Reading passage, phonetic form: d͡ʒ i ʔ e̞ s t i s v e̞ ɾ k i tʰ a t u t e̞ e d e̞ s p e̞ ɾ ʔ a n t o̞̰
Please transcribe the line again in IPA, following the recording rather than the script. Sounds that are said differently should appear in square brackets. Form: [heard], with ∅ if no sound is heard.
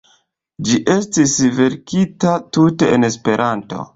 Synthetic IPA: d͡ʒ i ʔ e̞ s t i s v e̞ ɾ k i [t] a t u t e̞ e [n] e̞ s p e̞ ɾ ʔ a n t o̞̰